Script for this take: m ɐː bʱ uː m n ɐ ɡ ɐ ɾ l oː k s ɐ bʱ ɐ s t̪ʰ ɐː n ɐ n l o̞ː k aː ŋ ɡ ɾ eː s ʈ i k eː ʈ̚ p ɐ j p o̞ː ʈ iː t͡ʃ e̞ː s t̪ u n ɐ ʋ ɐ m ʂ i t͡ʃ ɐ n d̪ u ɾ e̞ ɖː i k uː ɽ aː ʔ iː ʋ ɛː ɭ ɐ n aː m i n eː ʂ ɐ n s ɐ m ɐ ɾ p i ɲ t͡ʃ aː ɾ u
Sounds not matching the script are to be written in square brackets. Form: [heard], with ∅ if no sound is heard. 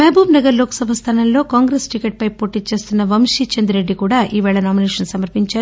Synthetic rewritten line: m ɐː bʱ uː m n ɐ ɡ ɐ ɾ l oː k s ɐ bʱ ɐ s t̪ʰ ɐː n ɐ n l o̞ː k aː ŋ ɡ ɾ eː s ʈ i k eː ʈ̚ p ɐ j p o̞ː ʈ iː t͡ʃ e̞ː s t̪ u [nː] ɐ ʋ ɐ m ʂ i t͡ʃ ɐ n d̪ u ɾ e̞ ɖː i k uː ɽ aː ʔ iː ʋ ɛː ɭ ɐ n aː m i n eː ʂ ɐ n s ɐ m ɐ ɾ p i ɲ t͡ʃ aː ɾ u